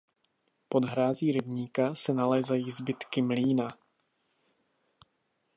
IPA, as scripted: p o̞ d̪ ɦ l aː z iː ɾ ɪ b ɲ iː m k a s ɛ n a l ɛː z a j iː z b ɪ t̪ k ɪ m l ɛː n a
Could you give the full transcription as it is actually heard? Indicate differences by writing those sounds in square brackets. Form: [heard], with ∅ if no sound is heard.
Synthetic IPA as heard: p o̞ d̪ ɦ [ɾ] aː z iː ɾ ɪ b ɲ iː [∅] k a s ɛ n a l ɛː z a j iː z b ɪ t̪ k ɪ m l [iː] n a